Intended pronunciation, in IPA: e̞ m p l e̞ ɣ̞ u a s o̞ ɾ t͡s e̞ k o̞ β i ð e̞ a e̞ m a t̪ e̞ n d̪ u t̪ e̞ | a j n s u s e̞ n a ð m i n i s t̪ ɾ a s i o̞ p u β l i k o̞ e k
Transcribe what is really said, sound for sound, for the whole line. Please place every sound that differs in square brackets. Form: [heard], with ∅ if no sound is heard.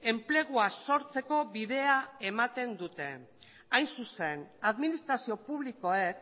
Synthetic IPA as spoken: e̞ m p l e̞ ɣ̞ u a s o̞ ɾ t͡s e̞ k o̞ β i ð e̞ a e̞ m a t̪ e̞ n d̪ u t̪ e̞ | a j n s u s e̞ n a ð m i n i s t̪ ɾ a s i o̞ p u β l i k o̞ e k